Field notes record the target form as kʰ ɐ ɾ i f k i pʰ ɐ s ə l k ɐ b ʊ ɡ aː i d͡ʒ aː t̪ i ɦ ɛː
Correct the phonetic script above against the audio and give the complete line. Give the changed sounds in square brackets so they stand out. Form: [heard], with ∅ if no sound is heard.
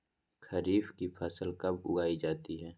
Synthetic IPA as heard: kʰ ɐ ɾ [iː] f k i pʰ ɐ s ə l k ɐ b ʊ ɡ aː i d͡ʒ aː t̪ i ɦ ɛː